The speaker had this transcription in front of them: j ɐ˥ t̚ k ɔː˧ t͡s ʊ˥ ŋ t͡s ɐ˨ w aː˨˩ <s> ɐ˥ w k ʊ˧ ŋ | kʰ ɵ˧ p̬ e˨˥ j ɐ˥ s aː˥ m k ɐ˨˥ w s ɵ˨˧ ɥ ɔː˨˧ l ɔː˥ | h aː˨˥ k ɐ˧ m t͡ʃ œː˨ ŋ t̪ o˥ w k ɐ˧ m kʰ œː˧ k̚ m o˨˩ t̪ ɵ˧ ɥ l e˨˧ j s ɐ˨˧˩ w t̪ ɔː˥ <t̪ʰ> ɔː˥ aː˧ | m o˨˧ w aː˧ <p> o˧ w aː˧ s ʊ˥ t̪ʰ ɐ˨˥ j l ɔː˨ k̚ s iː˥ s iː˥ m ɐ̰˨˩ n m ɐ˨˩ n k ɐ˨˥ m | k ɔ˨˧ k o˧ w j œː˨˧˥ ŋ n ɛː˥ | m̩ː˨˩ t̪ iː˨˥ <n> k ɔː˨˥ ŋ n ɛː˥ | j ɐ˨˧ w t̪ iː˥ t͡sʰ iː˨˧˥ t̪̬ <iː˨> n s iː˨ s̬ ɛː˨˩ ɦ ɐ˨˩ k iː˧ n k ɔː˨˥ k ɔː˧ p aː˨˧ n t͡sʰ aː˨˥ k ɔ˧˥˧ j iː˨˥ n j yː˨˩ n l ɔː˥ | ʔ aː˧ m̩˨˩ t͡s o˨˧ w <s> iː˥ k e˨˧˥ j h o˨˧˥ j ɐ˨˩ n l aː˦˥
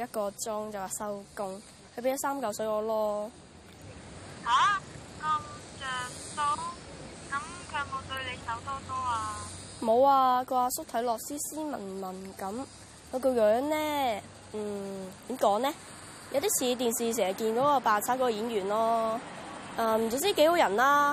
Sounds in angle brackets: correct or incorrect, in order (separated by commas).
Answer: correct, incorrect, incorrect, incorrect, correct, incorrect